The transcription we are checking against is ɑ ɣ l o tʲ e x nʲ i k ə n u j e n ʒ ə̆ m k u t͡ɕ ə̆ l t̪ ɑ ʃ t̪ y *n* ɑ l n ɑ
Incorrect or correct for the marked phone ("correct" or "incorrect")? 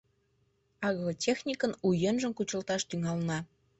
incorrect